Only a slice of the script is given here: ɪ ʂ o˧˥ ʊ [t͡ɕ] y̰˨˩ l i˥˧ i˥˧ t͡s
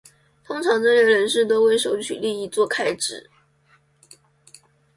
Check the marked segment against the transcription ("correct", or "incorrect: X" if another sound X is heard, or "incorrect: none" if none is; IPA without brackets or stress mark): incorrect: t͡ɕʰ